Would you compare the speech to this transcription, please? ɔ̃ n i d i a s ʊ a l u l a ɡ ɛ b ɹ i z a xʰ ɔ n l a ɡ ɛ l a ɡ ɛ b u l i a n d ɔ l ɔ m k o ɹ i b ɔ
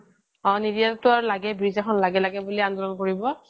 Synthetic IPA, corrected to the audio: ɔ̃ n i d i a t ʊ a ɹ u l a ɡ ɛ b ɹ i z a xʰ ɔ n l a ɡ ɛ l a ɡ ɛ b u l i a n d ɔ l ɔ n k o ɹ i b ɔ

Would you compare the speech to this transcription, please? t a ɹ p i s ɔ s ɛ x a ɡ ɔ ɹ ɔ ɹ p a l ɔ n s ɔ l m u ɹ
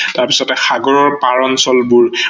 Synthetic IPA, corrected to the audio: t a ɹ p i s ɔ t ɛ x a ɡ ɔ ɹ ɔ ɹ p a ɹ ɔ n s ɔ l b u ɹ

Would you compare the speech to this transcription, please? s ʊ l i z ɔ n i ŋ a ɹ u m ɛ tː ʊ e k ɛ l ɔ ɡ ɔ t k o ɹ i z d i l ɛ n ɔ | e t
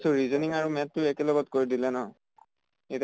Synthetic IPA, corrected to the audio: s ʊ ɹ i z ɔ n i ŋ a ɹ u m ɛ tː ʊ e k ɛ l ɔ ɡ ɔ t k o ɹ i d i l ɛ n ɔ | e t

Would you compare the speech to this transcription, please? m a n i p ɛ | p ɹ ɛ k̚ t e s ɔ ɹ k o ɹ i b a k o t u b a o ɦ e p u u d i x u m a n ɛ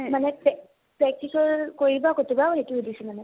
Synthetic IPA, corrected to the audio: m a n ɛ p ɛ | p ɹ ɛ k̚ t i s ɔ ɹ k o ɹ i b a k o t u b a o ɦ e t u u d i s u m a n ɛ

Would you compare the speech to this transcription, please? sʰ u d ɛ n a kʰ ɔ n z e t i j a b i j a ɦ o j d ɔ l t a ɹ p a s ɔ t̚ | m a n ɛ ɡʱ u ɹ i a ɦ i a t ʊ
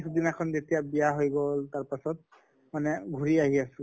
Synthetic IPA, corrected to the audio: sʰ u d i n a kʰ ɔ n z e t i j a b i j a ɦ o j ɡ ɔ l t a ɹ p a s ɔ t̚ | m a n ɛ ɡʱ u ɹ i a ɦ i a s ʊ

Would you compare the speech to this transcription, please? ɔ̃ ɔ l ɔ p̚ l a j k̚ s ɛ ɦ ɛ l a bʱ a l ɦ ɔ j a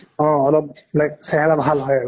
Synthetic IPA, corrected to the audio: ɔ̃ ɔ l ɔ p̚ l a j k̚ s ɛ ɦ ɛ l a bʱ a l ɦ ɔ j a

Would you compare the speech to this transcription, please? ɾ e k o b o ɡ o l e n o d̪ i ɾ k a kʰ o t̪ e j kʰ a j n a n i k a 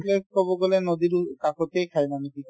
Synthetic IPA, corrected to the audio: l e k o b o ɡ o l e n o d̪ i ɾ k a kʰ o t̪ e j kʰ a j n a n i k i

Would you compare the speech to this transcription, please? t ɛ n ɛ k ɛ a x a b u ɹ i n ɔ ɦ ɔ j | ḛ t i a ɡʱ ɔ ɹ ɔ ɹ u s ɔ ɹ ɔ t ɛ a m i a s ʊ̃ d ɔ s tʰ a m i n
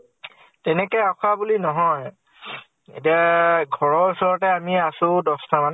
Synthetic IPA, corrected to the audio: t ɛ n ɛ k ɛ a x a b u l i n ɔ ɦ ɔ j | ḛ t i a ɡʱ ɔ ɹ ɔ ɹ u s ɔ ɹ ɔ t ɛ a m i a s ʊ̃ d ɔ s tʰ a m a n

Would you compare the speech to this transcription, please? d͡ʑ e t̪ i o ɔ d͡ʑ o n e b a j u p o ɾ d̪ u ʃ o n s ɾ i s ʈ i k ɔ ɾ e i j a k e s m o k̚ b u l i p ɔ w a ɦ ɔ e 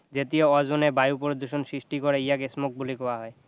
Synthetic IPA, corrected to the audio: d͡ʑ e t̪ i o ɔ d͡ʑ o n e b a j u p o ɾ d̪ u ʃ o n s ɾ i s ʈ i k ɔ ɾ e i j a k e s m o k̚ b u l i k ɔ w a ɦ ɔ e

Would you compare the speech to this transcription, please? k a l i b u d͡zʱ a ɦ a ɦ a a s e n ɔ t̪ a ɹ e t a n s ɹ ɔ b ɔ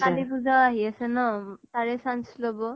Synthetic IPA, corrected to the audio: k a l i b u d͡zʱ a a ɦ i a s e n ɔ t̪ a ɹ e s a n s l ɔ b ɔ

